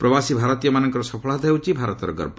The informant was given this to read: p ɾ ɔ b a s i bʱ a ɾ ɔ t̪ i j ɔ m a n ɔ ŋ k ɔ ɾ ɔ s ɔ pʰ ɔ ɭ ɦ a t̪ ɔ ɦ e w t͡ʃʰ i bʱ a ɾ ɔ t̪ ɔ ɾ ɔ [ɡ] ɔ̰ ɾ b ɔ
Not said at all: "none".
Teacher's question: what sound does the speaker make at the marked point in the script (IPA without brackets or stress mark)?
ɡ